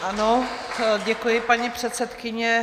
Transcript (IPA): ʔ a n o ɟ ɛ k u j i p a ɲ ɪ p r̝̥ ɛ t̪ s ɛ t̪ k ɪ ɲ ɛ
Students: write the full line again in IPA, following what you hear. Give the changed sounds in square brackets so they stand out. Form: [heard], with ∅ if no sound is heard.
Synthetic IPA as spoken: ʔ a n o ɟ ɛ k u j [ɪ] p a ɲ [i] p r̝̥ ɛ t̪ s ɛ t̪ k ɪ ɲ ɛ